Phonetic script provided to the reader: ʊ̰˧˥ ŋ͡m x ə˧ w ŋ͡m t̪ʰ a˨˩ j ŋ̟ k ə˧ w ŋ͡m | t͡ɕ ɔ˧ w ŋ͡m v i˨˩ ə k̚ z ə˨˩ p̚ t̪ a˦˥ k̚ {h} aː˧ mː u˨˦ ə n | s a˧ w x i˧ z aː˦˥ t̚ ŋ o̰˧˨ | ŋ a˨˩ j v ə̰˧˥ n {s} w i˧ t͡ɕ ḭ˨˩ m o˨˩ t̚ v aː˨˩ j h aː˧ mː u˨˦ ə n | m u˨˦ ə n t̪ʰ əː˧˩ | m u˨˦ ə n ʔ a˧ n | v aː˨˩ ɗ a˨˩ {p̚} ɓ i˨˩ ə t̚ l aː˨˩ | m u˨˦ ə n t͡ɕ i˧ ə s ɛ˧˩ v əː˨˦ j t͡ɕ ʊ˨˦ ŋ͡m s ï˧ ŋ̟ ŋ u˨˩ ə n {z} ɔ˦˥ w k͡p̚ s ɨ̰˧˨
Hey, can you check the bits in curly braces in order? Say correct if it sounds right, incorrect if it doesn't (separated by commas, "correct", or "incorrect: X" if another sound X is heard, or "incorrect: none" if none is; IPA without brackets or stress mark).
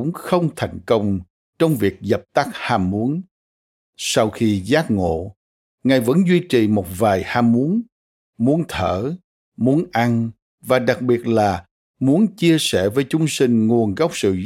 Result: correct, incorrect: z, incorrect: k̚, incorrect: ɣ